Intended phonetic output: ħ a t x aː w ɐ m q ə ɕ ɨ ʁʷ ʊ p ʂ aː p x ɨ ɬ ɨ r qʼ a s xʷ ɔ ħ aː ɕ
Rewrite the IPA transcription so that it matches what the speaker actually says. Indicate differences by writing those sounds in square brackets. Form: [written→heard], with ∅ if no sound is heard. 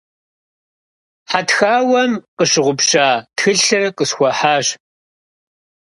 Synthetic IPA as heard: ħ a t x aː w ɐ m q ə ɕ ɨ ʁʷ ʊ p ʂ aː [p→t] x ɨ ɬ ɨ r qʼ [a→ə] s xʷ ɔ ħ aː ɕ